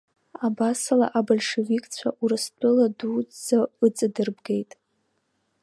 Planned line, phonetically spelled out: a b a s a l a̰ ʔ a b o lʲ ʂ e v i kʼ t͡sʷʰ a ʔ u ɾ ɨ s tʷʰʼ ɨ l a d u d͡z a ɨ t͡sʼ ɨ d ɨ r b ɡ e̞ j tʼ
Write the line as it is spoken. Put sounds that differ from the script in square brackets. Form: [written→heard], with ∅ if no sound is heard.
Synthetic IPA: a b a s a l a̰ ʔ a b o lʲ ʂ e v i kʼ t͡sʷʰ a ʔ u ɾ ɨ s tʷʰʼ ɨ l a d u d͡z a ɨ t͡sʼ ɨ d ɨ r b ɡ e̞ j tʼ